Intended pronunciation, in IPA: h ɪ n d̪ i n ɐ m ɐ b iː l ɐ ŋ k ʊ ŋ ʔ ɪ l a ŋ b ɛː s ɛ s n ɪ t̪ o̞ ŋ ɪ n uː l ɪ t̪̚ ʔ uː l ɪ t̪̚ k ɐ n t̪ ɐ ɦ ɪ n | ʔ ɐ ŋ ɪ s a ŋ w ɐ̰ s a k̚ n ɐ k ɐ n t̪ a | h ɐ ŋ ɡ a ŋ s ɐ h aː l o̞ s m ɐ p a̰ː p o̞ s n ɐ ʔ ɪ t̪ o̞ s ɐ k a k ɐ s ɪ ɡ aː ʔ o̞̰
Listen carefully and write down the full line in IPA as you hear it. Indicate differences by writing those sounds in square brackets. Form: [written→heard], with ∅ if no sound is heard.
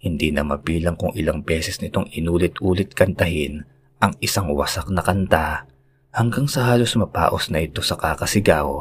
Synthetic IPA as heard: h ɪ n d̪ i n ɐ m ɐ b iː l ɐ ŋ k ʊ ŋ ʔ ɪ l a ŋ b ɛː s ɛ s n ɪ t̪ o̞ ŋ ɪ n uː l ɪ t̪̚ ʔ uː l ɪ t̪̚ k ɐ n t̪ ɐ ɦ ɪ n | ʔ ɐ ŋ ɪ s a ŋ w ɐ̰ s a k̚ n ɐ k ɐ n t̪ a | h ɐ ŋ ɡ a ŋ s ɐ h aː l o̞ s m ɐ p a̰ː [p→ʔ] o̞ s n ɐ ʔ ɪ t̪ o̞ s ɐ k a k ɐ s ɪ ɡ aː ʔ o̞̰